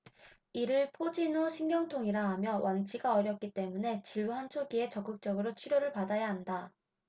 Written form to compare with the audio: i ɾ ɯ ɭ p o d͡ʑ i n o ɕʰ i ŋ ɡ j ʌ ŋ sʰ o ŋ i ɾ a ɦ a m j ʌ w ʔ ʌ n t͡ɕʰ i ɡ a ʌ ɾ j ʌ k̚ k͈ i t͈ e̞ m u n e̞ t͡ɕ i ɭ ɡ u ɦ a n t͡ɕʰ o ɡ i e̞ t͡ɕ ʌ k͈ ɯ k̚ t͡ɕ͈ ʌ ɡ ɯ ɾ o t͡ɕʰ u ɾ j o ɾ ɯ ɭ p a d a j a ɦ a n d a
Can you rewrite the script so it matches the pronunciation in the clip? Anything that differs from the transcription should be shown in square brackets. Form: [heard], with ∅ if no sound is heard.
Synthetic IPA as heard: i ɾ ɯ ɭ [pʰ] o d͡ʑ i n o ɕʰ i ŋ ɡ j ʌ ŋ [tʰ] o ŋ i ɾ a ɦ a m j ʌ w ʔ [a] n t͡ɕʰ i ɡ a ʌ ɾ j ʌ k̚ k͈ i t͈ e̞ m u n e̞ t͡ɕ i ɭ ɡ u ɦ a n t͡ɕʰ o ɡ i e̞ t͡ɕ ʌ k͈ ɯ k̚ t͡ɕ͈ ʌ ɡ ɯ ɾ o t͡ɕʰ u ɾ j o ɾ ɯ ɭ p a d a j a ɦ a n d a